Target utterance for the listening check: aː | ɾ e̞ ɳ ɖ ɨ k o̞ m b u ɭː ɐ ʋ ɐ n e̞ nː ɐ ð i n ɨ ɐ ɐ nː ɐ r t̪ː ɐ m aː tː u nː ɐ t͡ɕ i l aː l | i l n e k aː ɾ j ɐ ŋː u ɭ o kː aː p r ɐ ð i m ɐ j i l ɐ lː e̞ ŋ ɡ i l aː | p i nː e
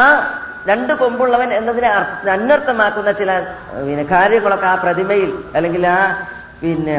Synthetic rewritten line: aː | ɾ e̞ ɳ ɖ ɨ k o̞ m b u ɭː ɐ ʋ ɐ n e̞ nː ɐ ð i n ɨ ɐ ɐ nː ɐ r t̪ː ɐ m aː kː u nː ɐ t͡ɕ i l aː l | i n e k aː ɾ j ɐ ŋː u ɭ o kː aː p r ɐ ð i m ɐ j i l ɐ lː e̞ ŋ ɡ i l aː | p i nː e